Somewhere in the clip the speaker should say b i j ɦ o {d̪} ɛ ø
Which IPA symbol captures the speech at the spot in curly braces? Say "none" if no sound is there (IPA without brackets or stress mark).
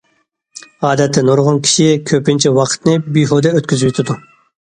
d̪